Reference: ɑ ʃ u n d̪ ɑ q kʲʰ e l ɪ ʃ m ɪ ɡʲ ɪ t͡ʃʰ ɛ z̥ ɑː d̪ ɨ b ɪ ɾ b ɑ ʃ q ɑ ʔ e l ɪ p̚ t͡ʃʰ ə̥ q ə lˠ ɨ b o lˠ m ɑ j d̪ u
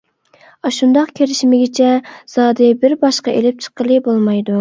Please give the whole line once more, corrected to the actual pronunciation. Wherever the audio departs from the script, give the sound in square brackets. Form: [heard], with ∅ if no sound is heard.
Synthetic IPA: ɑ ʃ u n d̪ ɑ q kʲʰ e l ɪ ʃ m ɪ ɡʲ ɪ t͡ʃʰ ɛ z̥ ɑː d̪ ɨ b ɪ ɾ b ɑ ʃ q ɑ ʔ e l ɪ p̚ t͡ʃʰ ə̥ q ə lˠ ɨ b o lˠ m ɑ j d̪ u